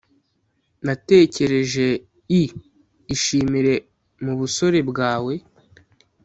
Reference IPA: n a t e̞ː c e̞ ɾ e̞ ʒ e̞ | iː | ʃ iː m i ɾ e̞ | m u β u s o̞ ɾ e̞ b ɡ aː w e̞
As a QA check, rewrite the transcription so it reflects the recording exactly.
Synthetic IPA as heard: n a t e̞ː c e̞ ɾ e̞ ʒ e̞ | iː | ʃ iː m i ɾ e̞ | m u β u s o̞ ɾ e̞ b ɡ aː w e̞